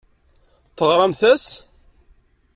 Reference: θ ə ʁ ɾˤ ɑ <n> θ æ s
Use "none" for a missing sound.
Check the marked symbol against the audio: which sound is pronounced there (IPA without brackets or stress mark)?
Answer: m